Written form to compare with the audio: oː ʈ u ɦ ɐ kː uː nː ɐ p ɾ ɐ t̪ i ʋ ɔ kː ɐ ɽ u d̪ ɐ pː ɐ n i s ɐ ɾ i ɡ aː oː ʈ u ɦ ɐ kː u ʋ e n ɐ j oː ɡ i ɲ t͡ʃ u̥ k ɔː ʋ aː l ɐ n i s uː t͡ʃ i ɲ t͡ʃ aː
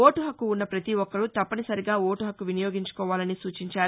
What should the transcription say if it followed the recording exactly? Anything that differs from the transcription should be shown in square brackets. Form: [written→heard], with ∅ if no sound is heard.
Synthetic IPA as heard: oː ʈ u ɦ ɐ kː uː nː ɐ p ɾ ɐ t̪ i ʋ ɔ kː ɐ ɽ u [d̪→t̪] ɐ pː ɐ n i s ɐ ɾ i ɡ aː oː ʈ u ɦ ɐ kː u ʋ [e→i] n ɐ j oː ɡ i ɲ t͡ʃ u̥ k ɔː ʋ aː l ɐ n i s uː t͡ʃ i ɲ t͡ʃ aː